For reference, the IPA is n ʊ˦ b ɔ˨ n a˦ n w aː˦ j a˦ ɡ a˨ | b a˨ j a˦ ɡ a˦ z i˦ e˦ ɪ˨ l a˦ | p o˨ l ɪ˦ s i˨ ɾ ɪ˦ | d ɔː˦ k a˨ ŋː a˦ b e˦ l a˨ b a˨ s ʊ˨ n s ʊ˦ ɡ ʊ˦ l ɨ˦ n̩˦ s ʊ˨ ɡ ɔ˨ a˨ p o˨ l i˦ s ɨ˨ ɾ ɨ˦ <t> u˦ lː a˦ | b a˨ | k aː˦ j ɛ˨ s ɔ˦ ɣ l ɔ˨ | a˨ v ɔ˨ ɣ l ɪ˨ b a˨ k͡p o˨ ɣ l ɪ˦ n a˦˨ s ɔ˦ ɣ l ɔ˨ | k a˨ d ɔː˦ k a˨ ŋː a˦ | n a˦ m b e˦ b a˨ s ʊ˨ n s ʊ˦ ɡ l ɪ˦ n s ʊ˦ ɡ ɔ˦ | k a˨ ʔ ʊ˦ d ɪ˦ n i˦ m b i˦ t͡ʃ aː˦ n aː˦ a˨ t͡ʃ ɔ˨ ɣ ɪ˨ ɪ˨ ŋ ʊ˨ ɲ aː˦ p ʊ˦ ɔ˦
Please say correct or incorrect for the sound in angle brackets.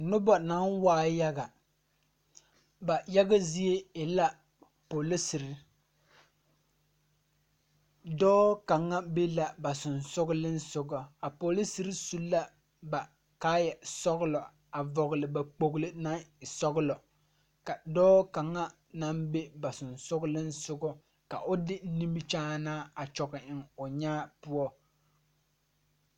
incorrect